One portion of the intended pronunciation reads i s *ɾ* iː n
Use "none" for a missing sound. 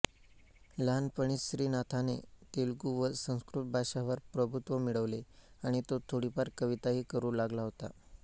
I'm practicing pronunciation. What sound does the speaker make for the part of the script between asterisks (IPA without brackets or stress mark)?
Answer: ɾ